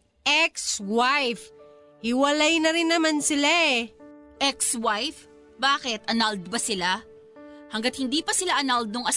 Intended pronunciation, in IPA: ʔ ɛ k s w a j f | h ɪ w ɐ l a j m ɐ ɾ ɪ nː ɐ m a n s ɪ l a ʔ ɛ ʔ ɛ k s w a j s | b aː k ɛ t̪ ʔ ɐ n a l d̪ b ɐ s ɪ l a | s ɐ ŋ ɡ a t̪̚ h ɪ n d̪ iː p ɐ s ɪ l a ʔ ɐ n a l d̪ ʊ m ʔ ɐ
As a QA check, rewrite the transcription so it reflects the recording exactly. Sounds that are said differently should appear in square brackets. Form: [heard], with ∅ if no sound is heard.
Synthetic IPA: ʔ ɛ k s w a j f | h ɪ w ɐ l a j [n] ɐ ɾ ɪ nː ɐ m a n s ɪ l a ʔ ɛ ʔ ɛ k s w a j [f] | b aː k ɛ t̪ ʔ ɐ n a l d̪ b ɐ s ɪ l a | [h] ɐ ŋ ɡ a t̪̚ h ɪ n d̪ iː p ɐ s ɪ l a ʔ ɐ n a l d̪ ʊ [ŋ] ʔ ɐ